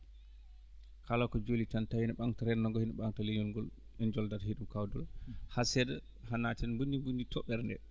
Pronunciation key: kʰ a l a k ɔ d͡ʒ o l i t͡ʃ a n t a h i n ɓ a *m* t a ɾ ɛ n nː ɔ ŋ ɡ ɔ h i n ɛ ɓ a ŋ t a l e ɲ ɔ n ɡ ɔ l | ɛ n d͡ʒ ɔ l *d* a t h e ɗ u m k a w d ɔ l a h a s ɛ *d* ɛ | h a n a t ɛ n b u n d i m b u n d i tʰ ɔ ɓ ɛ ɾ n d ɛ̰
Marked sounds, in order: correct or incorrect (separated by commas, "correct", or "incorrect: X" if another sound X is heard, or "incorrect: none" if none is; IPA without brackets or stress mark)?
incorrect: ŋ, correct, correct